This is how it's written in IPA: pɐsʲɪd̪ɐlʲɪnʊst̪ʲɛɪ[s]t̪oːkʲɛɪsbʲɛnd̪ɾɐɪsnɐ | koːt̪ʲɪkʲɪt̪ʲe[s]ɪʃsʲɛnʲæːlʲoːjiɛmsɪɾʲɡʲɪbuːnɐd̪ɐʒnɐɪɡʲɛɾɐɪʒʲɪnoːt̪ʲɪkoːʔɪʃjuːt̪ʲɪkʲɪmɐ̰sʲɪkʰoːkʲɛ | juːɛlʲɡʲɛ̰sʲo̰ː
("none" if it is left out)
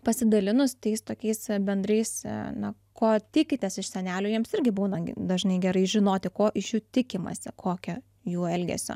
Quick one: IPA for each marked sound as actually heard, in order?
s, s

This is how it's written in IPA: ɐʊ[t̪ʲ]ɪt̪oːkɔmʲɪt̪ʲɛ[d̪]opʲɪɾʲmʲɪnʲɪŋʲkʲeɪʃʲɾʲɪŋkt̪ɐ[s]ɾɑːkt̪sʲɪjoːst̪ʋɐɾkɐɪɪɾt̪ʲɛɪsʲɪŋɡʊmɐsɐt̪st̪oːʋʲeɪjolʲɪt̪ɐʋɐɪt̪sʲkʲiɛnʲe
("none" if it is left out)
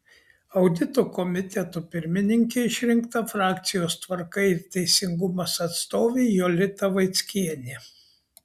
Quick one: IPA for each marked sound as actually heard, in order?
d̪ʲ, t̪, f

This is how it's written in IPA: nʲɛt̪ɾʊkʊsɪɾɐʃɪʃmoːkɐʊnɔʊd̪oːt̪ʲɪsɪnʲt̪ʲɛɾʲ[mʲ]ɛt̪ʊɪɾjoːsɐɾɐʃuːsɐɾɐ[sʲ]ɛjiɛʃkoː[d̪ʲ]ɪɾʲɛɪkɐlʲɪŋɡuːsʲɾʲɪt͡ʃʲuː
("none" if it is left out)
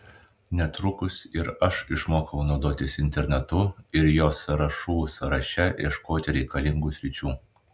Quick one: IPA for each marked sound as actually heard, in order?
nʲ, ʃʲ, t̪ʲ

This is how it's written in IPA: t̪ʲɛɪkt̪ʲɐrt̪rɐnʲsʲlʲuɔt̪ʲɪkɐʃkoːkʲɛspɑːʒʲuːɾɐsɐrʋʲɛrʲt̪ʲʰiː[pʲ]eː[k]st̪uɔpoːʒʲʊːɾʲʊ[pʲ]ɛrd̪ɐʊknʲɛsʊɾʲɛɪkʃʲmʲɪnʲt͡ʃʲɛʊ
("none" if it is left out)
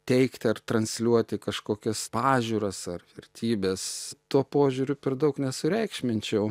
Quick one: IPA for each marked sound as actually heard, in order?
bʲ, none, pʲ

